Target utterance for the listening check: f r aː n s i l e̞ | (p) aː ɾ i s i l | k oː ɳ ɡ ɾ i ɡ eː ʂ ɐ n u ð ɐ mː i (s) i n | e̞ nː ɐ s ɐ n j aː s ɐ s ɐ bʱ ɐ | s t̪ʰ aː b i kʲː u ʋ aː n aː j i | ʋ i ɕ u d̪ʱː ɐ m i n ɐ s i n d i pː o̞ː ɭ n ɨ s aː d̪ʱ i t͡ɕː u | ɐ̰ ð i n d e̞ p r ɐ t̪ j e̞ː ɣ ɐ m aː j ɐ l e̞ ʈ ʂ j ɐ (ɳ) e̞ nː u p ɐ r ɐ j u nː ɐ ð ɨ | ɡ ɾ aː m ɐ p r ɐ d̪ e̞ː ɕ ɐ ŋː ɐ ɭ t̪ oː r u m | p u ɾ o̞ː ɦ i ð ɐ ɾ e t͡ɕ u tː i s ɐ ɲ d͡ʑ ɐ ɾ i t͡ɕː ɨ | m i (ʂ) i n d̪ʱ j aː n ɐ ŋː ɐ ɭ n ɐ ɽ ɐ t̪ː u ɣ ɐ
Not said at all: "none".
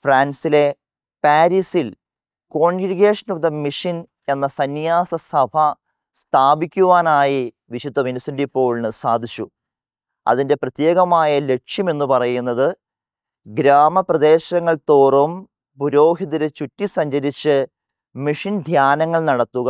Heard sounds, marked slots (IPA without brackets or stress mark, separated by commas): p, ʂ, m, ʂ